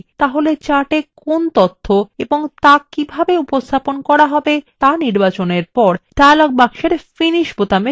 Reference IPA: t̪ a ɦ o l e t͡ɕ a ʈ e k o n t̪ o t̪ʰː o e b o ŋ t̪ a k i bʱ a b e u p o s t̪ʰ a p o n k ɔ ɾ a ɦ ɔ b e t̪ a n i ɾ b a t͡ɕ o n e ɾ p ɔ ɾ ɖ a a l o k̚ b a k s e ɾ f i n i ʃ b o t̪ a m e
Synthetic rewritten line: t̪ a ɦ o l e t͡ɕ a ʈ e k o n t̪ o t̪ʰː o e b o ŋ t̪ a k i bʱ a b e u p o s t̪ʰ a p o n k ɔ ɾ a ɦ ɔ b e t̪ a n i ɾ b a t͡ɕ o n e ɾ p ɔ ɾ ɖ a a l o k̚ b a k ʃ e ɾ f i n i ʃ b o t̪ a m e